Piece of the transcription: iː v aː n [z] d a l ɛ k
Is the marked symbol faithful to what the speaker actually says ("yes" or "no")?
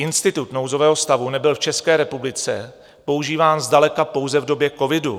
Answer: yes